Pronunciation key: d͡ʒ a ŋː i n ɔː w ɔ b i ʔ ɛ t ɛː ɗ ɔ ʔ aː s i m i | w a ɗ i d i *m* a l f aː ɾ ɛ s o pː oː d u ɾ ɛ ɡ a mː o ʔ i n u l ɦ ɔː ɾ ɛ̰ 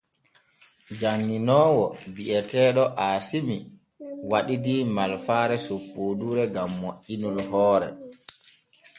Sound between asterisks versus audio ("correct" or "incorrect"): correct